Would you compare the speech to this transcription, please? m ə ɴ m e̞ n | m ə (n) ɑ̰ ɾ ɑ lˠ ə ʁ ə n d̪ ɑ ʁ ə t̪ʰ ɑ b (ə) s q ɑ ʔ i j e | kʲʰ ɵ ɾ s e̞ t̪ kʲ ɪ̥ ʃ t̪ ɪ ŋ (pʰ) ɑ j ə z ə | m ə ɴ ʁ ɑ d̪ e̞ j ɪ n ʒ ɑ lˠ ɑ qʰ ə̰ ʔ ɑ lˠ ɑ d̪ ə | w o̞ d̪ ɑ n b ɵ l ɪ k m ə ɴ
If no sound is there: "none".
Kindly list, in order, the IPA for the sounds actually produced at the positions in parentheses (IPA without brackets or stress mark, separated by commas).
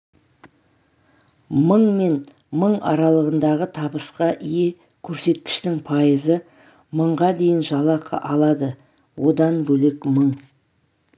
ɴ, ə, pʰ